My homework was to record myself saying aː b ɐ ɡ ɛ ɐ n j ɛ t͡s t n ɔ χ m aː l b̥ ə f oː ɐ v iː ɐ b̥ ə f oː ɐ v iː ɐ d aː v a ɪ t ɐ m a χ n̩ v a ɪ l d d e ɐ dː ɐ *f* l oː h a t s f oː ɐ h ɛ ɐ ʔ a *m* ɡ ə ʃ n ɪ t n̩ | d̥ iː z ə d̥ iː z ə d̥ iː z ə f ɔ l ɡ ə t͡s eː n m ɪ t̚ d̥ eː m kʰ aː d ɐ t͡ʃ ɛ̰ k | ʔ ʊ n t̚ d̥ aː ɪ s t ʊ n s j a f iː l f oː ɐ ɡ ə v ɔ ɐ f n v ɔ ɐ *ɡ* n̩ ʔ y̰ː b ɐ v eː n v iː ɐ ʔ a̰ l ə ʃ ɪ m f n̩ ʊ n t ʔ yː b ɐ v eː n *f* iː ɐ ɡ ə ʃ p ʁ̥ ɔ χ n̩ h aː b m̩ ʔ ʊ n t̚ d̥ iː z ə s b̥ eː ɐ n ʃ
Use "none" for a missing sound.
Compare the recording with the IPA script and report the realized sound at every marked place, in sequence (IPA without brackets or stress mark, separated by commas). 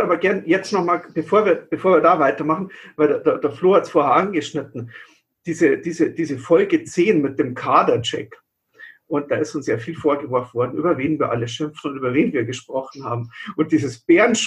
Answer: f, n, d, v